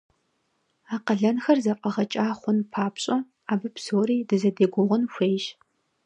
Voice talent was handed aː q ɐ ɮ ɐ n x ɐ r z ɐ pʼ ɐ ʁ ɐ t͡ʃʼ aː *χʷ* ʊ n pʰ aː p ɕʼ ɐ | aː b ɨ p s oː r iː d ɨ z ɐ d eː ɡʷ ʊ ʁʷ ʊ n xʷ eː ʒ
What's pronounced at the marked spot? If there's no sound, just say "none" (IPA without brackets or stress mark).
χʷ